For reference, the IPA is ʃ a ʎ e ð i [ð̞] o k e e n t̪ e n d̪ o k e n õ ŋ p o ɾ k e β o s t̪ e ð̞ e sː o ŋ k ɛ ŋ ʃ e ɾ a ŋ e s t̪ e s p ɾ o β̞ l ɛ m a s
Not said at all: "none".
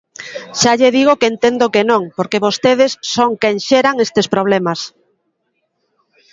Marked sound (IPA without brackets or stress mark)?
ɣ̞